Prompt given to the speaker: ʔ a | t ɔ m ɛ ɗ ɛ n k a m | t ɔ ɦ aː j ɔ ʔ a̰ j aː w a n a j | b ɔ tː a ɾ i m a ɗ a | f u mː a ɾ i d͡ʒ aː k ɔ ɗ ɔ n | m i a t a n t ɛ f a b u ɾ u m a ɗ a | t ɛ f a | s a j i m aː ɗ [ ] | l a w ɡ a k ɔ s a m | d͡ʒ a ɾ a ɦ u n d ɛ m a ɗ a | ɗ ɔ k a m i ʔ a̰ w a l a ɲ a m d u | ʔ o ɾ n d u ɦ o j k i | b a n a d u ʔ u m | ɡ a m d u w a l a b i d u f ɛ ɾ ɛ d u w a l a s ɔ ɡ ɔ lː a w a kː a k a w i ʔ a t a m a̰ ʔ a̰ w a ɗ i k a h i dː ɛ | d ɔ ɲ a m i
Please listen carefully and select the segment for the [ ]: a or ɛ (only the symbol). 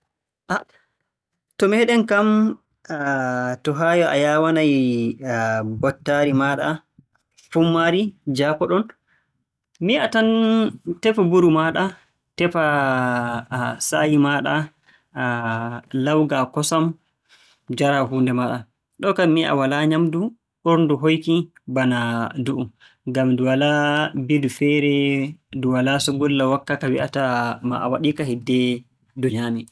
a